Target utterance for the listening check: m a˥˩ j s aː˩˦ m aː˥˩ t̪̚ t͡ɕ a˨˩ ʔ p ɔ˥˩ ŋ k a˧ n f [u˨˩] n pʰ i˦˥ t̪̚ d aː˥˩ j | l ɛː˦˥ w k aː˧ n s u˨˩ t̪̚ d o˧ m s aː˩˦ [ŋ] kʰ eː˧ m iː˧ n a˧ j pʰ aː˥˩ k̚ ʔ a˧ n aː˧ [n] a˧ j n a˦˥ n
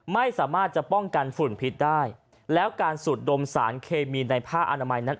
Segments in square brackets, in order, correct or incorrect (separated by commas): correct, incorrect, incorrect